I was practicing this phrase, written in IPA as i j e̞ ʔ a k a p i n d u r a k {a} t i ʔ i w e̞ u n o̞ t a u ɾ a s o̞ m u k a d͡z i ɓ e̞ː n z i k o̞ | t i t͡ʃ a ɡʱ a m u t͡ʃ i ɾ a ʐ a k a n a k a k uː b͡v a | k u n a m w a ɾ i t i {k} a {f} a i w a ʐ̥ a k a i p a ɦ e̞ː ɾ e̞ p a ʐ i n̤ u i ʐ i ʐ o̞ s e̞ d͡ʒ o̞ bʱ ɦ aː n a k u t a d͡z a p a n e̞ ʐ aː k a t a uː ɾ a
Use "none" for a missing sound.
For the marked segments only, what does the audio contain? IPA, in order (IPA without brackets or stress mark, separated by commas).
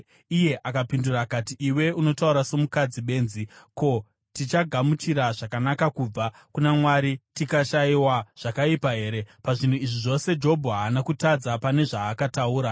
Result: a, k, ʃ